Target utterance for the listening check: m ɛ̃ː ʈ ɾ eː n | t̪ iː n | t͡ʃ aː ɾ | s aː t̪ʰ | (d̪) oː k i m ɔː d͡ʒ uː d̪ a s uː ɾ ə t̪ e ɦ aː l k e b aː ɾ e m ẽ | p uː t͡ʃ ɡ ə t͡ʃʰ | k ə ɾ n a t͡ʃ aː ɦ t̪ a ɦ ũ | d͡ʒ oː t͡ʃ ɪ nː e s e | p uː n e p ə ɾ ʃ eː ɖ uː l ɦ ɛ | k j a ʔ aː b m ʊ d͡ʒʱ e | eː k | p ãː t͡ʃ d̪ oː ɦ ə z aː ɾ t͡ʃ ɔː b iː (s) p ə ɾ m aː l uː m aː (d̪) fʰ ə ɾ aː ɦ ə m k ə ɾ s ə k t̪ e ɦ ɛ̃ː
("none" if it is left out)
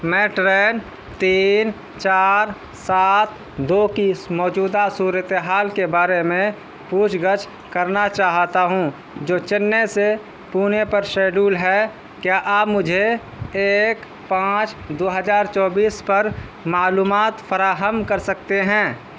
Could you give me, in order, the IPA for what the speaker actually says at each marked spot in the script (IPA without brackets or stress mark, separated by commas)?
d̪, s, t̪